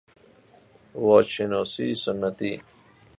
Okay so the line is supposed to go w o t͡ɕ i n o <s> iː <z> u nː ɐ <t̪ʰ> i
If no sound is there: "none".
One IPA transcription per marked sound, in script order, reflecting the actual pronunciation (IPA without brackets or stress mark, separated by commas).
s, s, t̪